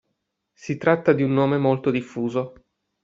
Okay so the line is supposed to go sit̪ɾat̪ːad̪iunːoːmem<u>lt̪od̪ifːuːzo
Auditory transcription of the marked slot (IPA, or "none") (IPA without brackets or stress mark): o